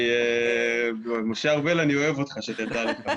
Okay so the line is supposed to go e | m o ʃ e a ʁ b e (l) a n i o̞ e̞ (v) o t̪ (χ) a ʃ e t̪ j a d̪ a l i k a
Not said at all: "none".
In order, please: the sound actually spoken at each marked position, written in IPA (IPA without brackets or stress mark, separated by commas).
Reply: l, v, χ